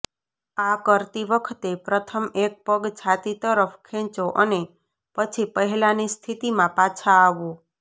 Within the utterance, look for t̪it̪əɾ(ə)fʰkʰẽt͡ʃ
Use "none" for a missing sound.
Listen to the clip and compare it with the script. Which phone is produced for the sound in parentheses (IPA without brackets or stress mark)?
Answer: ə